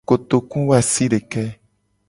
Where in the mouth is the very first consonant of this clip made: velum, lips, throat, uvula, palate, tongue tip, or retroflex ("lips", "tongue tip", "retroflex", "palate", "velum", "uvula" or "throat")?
velum